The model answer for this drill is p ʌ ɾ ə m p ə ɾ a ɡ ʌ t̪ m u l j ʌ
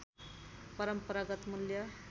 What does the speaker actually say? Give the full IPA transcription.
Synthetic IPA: p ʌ ɾ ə m p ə ɾ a ɡ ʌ t̪ m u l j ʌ